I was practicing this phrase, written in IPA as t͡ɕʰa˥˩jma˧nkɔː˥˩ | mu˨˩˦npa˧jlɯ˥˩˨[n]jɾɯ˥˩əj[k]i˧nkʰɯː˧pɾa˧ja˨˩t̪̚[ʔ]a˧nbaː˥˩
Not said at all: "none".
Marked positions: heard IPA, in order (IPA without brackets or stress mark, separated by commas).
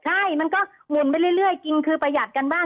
none, k, k